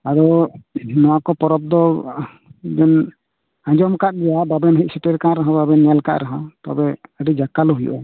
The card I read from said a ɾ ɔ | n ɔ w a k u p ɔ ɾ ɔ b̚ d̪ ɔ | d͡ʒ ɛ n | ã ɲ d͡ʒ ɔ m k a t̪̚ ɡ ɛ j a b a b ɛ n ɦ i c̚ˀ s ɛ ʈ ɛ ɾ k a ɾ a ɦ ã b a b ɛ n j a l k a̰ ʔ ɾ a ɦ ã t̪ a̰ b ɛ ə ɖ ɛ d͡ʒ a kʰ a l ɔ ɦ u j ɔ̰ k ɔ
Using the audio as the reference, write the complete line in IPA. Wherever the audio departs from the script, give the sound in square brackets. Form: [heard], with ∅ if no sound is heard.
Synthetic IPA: a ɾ ɔ | n ɔ w a k [ɔ] p ɔ ɾ ɔ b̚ d̪ ɔ | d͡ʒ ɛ n | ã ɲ d͡ʒ ɔ m k a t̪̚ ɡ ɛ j a b a b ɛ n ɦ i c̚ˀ s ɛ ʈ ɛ ɾ k a ɾ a ɦ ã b a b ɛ n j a l k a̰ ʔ ɾ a ɦ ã t̪ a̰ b ɛ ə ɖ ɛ d͡ʒ a [k] a l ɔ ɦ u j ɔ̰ [ʔ] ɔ